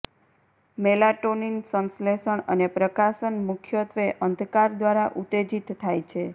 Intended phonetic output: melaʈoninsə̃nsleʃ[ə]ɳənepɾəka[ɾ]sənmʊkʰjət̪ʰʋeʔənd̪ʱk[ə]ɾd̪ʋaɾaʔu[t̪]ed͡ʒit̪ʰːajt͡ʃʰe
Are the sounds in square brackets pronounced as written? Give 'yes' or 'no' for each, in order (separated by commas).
yes, no, no, yes